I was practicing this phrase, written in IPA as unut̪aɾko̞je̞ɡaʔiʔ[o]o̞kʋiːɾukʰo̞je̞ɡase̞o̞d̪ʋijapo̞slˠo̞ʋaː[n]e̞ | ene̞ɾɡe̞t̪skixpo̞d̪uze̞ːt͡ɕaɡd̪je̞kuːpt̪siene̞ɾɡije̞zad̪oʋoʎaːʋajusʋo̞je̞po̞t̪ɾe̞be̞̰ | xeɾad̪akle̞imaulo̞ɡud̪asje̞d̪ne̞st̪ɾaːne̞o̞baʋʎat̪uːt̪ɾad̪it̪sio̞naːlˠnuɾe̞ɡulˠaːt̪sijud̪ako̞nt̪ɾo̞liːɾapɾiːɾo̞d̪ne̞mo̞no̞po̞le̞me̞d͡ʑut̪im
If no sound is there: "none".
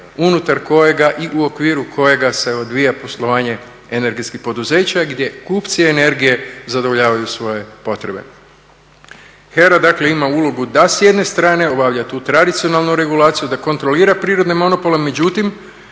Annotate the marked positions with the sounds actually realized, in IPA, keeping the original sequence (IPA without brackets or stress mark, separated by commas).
u, ɲ